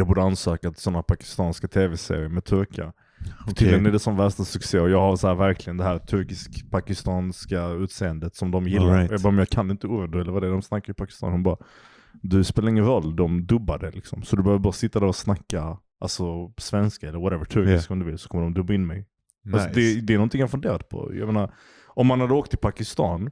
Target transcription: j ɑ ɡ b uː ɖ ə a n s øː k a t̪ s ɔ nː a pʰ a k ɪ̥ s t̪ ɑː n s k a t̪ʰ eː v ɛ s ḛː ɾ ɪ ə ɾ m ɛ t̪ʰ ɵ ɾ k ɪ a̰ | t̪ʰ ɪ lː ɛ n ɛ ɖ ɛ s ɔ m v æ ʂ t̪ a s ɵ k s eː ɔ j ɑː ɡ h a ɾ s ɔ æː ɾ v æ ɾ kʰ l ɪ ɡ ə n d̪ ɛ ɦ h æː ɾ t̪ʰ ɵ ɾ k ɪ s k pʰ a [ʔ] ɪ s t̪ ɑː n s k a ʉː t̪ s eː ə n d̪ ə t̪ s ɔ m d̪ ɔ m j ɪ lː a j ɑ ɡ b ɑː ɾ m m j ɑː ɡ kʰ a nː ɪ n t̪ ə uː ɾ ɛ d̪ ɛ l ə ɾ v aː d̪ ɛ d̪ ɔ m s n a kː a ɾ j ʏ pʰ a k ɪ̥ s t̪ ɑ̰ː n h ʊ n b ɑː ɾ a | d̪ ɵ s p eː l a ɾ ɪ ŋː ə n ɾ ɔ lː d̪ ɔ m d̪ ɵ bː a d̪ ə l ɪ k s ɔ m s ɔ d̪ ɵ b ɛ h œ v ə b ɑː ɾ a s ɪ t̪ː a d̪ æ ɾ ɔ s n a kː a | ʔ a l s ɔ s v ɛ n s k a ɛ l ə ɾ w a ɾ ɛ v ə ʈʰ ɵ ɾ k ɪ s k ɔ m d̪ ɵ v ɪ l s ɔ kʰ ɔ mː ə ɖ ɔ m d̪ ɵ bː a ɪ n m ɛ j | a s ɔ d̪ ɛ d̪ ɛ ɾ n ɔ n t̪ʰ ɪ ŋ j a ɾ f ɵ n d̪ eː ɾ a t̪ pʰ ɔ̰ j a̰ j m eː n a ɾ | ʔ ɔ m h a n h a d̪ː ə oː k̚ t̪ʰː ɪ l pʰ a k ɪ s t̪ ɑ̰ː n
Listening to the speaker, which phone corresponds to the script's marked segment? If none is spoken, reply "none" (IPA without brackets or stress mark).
k